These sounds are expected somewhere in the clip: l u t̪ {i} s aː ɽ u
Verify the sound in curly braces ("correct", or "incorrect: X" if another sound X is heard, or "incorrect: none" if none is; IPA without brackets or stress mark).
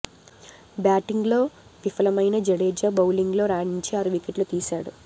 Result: incorrect: iː